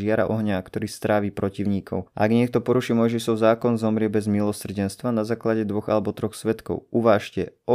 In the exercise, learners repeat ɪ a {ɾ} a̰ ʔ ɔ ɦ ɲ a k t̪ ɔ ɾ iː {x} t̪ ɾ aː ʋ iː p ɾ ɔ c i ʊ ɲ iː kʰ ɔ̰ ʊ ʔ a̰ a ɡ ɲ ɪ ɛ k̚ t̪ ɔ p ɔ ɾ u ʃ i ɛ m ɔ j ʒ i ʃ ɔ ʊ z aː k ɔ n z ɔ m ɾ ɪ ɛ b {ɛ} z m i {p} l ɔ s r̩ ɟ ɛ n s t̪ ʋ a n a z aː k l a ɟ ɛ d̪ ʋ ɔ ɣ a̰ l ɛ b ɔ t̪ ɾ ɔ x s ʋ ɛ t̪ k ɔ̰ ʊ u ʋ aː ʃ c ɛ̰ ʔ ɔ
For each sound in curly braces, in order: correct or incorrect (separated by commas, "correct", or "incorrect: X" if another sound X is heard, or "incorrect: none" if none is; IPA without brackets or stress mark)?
correct, incorrect: s, correct, incorrect: none